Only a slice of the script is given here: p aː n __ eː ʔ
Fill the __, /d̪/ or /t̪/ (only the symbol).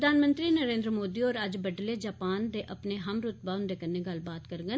d̪